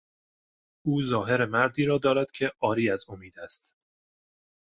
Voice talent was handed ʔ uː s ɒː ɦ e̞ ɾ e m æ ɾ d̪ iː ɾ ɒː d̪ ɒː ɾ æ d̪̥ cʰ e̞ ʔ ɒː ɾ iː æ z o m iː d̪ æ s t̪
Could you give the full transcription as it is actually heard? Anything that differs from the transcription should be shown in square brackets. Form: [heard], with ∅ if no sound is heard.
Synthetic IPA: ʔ uː [z] ɒː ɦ e̞ ɾ e m æ ɾ d̪ iː ɾ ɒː d̪ ɒː ɾ æ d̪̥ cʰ e̞ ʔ ɒː ɾ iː æ z o m iː d̪ æ s t̪